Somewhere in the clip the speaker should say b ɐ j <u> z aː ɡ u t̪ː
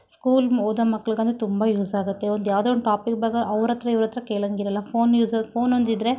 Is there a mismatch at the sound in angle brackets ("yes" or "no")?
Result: yes